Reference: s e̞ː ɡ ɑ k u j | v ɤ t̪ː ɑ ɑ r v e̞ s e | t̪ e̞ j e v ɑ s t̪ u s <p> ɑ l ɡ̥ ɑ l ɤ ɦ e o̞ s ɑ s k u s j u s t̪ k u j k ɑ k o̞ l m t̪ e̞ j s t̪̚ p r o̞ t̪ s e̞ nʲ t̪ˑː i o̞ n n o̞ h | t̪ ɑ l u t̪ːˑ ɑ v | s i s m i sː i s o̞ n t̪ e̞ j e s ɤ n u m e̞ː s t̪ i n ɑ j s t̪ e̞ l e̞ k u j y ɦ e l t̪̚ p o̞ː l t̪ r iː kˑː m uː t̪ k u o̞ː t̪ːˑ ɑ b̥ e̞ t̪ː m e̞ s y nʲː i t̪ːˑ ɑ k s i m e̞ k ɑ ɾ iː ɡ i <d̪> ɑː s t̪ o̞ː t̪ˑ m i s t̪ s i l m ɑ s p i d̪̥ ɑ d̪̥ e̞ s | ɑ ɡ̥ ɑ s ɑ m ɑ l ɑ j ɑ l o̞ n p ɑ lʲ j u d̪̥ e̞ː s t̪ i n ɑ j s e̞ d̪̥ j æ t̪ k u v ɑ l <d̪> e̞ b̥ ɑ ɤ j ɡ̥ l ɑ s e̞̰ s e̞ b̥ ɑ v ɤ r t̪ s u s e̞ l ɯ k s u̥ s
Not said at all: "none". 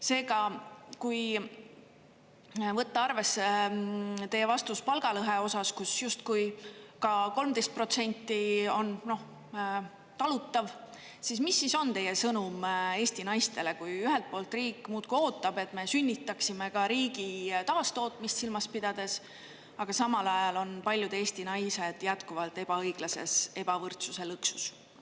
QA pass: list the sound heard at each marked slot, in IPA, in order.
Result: p, t̪, t̪

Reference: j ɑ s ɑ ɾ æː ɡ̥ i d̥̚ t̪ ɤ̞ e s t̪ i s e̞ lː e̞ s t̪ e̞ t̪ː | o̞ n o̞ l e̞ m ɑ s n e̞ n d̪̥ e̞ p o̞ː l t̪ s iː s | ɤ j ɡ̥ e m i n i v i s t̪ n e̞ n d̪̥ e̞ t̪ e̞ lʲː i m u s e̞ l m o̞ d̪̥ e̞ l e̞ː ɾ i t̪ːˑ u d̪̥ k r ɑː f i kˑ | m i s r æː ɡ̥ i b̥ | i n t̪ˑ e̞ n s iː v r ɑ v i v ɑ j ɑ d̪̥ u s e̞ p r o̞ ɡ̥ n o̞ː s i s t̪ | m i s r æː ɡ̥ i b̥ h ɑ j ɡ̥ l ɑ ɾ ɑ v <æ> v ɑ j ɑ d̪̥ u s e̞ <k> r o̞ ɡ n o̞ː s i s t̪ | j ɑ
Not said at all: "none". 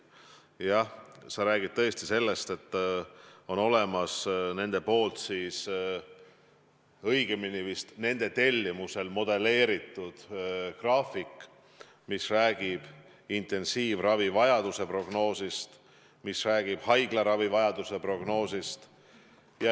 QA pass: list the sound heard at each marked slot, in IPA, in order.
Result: i, p

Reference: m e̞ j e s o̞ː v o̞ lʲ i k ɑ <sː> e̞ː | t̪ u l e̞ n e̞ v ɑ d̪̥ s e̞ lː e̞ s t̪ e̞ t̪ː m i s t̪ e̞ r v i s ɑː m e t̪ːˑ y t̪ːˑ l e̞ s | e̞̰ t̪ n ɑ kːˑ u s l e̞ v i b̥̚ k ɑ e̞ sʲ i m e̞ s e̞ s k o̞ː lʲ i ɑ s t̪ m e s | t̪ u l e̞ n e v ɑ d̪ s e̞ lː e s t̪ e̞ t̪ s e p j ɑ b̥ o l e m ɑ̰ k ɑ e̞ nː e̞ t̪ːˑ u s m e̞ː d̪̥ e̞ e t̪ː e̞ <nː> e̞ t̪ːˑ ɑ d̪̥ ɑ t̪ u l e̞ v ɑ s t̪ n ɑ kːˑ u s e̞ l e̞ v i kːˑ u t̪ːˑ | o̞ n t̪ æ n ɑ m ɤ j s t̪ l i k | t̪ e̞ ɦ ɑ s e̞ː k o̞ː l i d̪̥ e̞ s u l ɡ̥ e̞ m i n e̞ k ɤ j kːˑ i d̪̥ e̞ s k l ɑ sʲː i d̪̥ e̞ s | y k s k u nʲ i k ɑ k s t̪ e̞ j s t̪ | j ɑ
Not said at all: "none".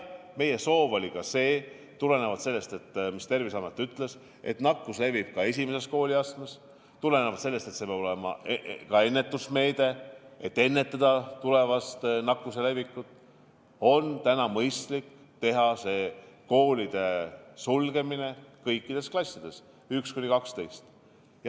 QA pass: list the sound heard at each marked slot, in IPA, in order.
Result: s, nː

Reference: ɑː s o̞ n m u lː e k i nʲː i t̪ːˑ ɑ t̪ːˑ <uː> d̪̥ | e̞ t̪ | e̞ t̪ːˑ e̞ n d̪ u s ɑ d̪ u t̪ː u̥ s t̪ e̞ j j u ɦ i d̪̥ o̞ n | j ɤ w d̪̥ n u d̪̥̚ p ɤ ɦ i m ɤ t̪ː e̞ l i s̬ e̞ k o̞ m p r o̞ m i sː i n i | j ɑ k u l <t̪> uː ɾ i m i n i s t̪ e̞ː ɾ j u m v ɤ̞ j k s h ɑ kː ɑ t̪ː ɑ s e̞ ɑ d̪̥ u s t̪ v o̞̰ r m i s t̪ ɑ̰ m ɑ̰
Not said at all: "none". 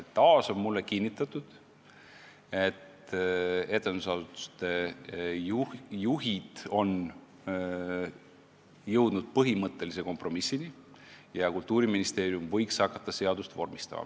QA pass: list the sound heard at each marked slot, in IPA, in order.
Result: u, t̪

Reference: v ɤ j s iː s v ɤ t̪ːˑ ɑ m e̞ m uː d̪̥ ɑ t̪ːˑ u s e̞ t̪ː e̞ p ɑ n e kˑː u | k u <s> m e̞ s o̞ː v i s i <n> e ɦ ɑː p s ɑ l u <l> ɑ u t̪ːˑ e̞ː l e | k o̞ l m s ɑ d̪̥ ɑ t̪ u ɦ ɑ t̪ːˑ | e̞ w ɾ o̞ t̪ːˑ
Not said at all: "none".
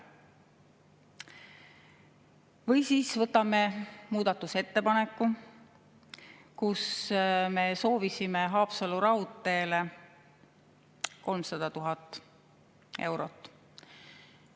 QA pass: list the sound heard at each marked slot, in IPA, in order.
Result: s, m, ɾ

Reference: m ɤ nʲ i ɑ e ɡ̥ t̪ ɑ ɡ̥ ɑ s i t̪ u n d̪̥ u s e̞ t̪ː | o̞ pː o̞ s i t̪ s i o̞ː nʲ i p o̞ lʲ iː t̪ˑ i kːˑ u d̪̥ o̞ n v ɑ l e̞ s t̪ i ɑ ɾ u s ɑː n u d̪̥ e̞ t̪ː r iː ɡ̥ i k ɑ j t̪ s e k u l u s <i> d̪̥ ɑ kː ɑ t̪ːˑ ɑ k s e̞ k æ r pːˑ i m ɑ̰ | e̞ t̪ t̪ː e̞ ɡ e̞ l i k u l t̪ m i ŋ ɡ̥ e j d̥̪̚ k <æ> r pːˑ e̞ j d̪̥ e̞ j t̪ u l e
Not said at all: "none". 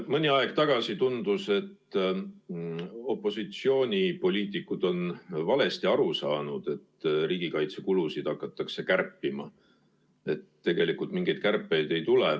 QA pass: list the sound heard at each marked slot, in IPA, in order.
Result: i, æ

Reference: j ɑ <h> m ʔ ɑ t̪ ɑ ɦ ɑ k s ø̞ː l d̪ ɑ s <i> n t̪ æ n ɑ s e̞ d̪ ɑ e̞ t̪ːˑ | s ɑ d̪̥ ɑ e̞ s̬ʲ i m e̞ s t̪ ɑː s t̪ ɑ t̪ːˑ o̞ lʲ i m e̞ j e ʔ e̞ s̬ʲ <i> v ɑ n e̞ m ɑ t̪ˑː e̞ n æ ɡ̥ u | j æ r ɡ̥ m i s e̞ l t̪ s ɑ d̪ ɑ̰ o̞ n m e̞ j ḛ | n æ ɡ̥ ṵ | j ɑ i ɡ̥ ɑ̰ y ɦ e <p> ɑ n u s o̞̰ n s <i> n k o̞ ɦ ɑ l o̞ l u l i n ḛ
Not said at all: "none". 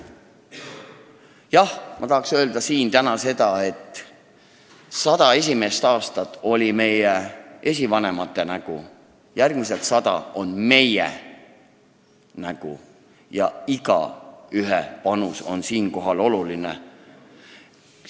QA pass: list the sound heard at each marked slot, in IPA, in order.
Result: h, iː, i, p, iː

